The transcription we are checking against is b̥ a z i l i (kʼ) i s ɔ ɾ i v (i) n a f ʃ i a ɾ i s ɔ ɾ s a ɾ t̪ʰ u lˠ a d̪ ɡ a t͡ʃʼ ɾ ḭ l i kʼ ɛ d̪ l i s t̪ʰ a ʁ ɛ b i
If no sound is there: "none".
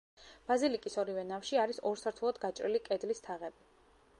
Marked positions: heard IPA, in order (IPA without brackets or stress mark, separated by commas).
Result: kʼ, ɛ